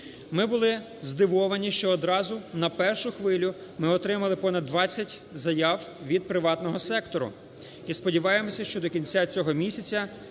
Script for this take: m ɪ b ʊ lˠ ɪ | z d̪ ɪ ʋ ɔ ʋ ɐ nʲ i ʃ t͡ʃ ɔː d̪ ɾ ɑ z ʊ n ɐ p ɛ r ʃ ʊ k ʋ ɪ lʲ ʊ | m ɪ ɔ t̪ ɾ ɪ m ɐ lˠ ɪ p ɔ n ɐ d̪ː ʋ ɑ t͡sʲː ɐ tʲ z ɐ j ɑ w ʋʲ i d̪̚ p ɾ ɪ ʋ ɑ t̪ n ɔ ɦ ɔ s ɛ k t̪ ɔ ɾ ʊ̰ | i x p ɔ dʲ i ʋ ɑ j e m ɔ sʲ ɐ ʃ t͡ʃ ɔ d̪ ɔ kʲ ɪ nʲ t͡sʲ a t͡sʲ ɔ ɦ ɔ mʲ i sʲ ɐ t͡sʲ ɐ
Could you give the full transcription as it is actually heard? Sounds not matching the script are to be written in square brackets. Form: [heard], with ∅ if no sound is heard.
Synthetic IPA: m ɪ b ʊ lˠ ɪ | z d̪ ɪ ʋ ɔ ʋ ɐ nʲ i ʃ t͡ʃ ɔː d̪ ɾ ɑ z ʊ n ɐ p ɛ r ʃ ʊ [x] ʋ ɪ lʲ ʊ | m ɪ ɔ t̪ ɾ ɪ m ɐ lˠ ɪ p ɔ n ɐ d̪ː ʋ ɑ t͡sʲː ɐ tʲ z ɐ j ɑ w ʋʲ i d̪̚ p ɾ ɪ ʋ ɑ t̪ n ɔ ɦ ɔ s ɛ k t̪ ɔ ɾ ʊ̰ | i [s] p ɔ dʲ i ʋ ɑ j e m ɔ sʲ ɐ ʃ t͡ʃ ɔ d̪ ɔ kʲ [i] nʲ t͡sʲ a t͡sʲ ɔ ɦ ɔ mʲ i sʲ ɐ t͡sʲ ɐ

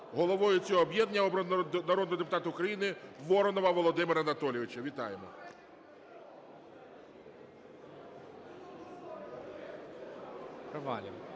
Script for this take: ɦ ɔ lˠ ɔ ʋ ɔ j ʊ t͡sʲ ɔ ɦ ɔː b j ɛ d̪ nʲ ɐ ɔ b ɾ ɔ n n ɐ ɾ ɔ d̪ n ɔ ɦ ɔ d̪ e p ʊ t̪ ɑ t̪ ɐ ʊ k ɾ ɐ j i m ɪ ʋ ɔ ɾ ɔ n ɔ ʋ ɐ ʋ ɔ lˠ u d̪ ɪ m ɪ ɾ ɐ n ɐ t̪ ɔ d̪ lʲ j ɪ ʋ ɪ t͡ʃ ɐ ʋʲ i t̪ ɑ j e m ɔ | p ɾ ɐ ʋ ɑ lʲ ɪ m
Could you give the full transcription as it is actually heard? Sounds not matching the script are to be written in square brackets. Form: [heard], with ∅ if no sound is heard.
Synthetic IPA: ɦ ɔ lˠ ɔ ʋ ɔ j ʊ t͡sʲ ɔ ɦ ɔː b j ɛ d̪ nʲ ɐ ɔ b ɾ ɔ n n ɐ ɾ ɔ d̪ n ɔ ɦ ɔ d̪ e p ʊ t̪ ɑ t̪ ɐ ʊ k ɾ ɐ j i [n] ɪ ʋ ɔ ɾ ɔ n ɔ ʋ ɐ ʋ ɔ lˠ [ɔ] d̪ ɪ m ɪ ɾ ɐ n ɐ t̪ ɔ [∅] lʲ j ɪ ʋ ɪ t͡ʃ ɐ ʋʲ i t̪ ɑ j e m ɔ | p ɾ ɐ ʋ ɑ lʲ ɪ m

